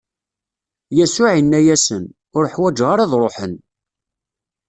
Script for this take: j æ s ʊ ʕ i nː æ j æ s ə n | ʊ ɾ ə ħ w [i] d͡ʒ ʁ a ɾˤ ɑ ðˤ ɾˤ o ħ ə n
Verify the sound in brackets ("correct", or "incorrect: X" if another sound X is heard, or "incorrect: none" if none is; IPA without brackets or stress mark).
incorrect: æ